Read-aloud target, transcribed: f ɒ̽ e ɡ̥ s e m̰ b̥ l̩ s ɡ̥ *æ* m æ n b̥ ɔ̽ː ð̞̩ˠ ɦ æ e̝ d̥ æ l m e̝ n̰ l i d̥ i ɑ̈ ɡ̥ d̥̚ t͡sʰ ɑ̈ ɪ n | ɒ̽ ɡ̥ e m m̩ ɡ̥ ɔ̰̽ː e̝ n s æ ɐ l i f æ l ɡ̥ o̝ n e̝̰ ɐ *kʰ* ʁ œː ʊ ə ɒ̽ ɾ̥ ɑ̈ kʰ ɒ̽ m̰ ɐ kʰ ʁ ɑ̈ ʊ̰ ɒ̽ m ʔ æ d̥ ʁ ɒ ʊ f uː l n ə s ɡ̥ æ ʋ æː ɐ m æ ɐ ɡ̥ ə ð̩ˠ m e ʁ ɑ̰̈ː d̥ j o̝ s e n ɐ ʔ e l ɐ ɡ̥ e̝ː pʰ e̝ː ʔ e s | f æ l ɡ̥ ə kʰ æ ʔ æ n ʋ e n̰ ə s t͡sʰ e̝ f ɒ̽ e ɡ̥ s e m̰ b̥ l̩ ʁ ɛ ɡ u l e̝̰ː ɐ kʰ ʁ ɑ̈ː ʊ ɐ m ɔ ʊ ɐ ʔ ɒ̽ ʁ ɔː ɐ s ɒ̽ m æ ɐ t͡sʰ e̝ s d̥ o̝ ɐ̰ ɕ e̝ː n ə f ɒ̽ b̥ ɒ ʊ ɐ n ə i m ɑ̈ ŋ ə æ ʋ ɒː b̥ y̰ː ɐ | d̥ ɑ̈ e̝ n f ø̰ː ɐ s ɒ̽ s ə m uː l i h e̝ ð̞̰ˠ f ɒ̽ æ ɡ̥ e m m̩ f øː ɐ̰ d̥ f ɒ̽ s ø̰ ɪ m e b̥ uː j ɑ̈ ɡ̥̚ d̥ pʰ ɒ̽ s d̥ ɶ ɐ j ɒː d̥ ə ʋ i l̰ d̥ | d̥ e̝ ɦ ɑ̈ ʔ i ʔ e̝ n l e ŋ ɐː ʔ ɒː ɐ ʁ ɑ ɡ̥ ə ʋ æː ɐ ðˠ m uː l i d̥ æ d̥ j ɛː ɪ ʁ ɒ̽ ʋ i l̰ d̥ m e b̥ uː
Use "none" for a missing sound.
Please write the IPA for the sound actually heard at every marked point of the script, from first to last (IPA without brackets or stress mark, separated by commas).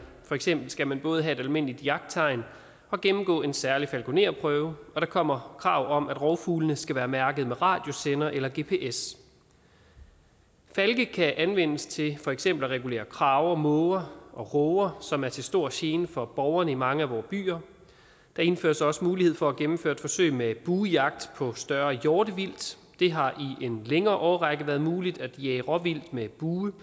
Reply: æ, pʰ